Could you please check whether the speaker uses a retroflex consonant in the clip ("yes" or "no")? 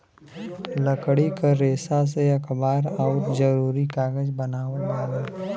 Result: yes